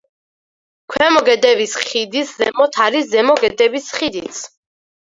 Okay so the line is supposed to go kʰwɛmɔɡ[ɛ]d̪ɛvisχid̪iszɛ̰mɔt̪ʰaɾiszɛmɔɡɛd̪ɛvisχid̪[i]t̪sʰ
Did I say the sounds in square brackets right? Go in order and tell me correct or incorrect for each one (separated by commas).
correct, correct